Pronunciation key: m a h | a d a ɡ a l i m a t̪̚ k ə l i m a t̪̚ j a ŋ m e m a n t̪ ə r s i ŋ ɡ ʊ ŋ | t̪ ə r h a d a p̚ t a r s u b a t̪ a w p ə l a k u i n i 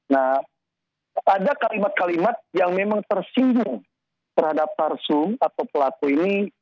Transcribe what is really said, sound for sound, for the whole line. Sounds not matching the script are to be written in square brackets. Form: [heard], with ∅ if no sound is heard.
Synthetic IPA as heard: [n] a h | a d a [k] a l i m a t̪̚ k [a] l i m a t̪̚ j a ŋ m e m a [ŋ] t̪ ə r s i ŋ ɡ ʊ ŋ | t̪ ə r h a d a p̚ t a r s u [m] a t̪ a w p ə l a k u i n i